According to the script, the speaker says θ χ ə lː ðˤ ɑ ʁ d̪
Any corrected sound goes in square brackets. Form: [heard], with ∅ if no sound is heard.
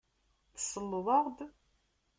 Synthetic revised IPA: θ [s] ə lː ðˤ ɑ ʁ d̪